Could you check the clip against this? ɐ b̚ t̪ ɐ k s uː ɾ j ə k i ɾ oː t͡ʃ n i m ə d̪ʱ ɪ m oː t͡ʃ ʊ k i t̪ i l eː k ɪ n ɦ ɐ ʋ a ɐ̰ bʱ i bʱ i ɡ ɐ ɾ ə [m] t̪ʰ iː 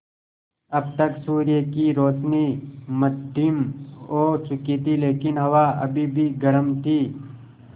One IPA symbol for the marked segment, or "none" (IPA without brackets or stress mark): m